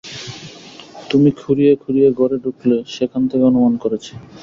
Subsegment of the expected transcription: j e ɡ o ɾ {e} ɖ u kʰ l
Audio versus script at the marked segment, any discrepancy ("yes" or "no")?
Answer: no